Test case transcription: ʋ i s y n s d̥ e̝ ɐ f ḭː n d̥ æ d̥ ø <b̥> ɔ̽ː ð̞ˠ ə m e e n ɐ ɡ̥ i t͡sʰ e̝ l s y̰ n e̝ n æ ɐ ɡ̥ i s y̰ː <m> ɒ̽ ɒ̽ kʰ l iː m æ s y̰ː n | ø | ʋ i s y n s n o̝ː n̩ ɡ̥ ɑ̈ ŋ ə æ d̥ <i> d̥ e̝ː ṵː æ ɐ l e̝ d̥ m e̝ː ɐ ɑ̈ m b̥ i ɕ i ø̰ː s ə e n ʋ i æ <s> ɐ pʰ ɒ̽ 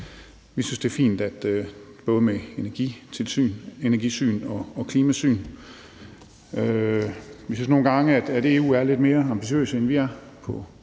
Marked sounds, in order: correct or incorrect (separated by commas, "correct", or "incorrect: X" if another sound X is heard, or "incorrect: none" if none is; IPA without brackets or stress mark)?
correct, incorrect: n, incorrect: æ, incorrect: none